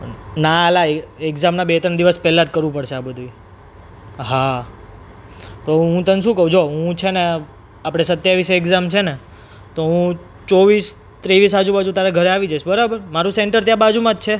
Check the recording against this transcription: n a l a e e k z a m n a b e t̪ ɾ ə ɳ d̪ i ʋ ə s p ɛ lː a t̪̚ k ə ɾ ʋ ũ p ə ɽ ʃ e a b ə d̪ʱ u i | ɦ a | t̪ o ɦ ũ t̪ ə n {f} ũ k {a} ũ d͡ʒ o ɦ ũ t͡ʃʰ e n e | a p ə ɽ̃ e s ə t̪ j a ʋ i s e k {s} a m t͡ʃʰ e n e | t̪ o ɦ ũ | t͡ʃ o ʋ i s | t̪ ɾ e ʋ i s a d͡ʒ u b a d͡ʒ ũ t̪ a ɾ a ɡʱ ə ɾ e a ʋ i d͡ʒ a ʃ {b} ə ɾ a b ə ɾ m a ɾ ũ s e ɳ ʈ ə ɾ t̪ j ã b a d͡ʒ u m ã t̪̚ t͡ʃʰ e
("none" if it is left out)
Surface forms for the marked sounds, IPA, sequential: ʃ, ə, z, b

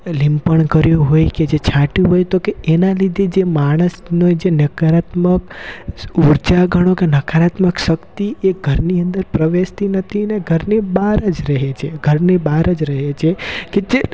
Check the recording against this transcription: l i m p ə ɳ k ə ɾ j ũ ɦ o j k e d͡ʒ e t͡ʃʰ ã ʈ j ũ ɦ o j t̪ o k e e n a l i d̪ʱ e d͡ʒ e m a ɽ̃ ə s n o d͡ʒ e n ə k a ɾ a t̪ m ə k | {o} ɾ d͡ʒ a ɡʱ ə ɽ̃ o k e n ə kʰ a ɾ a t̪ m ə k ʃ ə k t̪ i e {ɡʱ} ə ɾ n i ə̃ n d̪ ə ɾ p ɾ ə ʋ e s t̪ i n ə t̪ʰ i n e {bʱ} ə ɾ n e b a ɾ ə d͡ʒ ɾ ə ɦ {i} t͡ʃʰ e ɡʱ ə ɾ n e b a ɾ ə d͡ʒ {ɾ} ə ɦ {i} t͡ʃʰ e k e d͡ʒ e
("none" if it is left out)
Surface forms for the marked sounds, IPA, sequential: u, ɡʱ, ɡʱ, e, ɾ, e

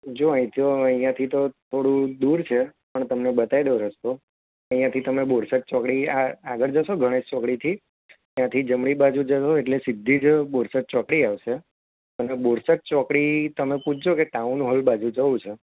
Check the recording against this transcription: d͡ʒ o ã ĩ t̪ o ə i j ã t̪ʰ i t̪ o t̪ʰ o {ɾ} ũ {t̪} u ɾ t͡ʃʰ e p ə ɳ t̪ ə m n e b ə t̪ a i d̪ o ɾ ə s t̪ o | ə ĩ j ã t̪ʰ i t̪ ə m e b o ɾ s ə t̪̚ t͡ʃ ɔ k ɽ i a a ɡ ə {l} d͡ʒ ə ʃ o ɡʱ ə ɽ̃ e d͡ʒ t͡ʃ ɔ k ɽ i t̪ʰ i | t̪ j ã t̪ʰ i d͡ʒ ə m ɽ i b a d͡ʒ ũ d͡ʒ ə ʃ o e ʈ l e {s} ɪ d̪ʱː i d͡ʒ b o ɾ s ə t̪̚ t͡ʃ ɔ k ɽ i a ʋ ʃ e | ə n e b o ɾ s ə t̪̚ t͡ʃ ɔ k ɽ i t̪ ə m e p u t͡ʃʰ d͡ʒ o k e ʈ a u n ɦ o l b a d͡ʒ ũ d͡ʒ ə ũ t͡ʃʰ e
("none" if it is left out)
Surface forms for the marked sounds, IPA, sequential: ɽ, d̪, ɾ, s

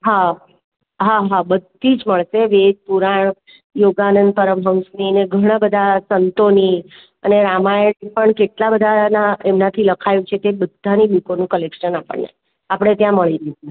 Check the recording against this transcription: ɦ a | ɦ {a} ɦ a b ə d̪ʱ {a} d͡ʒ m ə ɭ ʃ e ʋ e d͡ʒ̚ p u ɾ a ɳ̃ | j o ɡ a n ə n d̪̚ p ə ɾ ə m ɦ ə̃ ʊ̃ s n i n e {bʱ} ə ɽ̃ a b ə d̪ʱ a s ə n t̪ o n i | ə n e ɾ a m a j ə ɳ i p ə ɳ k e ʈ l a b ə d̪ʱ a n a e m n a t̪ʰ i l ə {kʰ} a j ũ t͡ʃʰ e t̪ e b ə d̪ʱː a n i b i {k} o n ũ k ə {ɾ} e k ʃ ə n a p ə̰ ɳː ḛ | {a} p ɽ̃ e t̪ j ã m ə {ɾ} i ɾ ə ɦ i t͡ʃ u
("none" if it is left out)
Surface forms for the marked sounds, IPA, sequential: a, i, ɡʱ, kʰ, k, l, a, ɭ

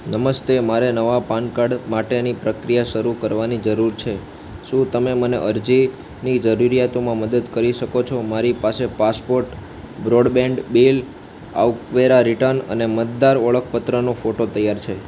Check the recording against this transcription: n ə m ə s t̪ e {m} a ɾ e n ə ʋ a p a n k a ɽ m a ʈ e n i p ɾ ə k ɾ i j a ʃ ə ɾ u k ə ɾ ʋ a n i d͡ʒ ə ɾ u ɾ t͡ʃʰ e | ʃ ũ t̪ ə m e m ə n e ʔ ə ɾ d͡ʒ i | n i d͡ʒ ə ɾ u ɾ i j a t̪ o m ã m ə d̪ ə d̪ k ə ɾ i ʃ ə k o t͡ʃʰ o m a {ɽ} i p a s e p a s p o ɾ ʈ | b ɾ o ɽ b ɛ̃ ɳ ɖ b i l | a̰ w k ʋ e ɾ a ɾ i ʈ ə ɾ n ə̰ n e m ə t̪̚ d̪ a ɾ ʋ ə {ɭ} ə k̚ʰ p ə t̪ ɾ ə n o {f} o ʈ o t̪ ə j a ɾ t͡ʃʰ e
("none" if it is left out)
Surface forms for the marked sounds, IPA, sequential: m, ɾ, ɭ, f

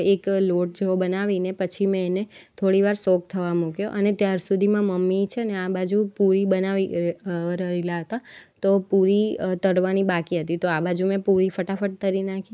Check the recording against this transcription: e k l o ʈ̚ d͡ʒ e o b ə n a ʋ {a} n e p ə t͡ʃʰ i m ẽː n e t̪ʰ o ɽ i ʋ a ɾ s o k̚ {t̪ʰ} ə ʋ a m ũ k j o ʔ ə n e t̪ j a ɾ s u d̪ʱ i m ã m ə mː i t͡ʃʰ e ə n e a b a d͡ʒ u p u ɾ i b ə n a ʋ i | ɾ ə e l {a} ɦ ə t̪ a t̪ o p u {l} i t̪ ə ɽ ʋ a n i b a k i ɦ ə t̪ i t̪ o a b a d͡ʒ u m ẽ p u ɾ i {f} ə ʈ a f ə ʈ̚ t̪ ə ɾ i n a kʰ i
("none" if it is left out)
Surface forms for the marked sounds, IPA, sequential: i, t̪ʰ, a, ɾ, f

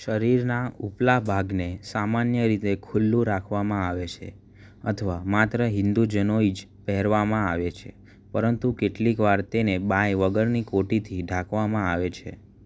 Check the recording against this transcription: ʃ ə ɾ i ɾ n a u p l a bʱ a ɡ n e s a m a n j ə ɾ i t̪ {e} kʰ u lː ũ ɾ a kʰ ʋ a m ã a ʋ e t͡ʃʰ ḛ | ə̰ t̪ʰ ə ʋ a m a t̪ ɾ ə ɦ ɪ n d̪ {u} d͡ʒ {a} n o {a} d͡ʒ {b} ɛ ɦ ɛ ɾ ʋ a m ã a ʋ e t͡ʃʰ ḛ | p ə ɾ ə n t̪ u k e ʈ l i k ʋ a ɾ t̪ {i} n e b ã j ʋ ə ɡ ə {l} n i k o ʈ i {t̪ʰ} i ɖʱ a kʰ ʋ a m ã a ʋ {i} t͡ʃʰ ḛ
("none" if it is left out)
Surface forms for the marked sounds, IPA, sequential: e, u, ə, i, p, e, ɾ, t̪ʰ, e

